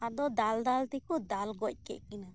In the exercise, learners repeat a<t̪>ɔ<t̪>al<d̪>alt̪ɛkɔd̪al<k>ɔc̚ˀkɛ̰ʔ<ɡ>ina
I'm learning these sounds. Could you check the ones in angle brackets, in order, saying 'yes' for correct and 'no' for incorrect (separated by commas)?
no, no, yes, no, no